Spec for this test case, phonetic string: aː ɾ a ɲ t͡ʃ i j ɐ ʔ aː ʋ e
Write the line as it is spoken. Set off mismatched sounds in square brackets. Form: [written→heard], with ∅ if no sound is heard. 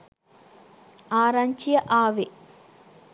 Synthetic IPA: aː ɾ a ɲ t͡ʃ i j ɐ ʔ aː ʋ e

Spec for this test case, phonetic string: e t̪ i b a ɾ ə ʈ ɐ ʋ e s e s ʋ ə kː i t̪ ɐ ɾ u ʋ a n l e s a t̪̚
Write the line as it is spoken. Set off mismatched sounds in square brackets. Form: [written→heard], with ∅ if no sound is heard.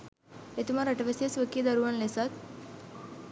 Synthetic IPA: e t̪ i [b→m] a ɾ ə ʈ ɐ ʋ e s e s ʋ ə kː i [t̪→d̪] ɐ ɾ u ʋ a n l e s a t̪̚

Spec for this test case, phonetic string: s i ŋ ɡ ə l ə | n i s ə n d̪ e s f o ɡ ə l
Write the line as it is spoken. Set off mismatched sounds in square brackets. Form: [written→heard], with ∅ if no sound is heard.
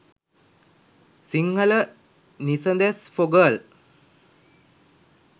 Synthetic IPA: s i ŋ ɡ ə l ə | n i s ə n d̪ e s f o ɡ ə l

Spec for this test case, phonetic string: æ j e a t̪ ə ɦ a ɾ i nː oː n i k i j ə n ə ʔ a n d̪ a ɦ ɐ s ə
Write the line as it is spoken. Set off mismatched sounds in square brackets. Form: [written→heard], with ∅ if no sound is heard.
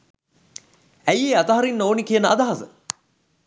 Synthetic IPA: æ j e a t̪ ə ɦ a ɾ i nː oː n i k i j ə n ə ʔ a [n→∅] d̪ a ɦ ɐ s ə

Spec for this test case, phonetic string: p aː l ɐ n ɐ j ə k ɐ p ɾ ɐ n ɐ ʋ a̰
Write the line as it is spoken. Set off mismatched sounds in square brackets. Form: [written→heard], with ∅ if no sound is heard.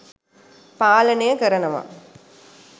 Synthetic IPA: p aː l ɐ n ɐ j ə k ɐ [p→∅] ɾ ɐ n ɐ ʋ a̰

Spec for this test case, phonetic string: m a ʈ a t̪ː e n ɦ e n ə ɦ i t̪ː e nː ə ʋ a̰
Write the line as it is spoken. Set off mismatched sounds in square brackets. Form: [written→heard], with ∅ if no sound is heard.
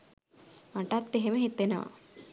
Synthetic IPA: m a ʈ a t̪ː e [n→∅] ɦ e [n→m] ə ɦ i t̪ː e [nː→n] ə ʋ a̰

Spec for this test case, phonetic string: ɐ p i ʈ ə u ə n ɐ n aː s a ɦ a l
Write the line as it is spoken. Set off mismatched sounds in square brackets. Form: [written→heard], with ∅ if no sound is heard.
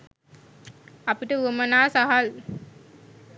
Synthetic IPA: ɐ p i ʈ ə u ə [n→m] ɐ n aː s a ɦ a l

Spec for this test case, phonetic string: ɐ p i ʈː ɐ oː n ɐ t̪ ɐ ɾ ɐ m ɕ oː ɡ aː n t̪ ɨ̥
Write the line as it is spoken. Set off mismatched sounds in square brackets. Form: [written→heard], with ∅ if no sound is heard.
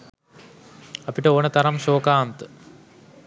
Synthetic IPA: ɐ p i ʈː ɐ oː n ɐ t̪ ɐ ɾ ɐ m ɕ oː [ɡ→k] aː n t̪ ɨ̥

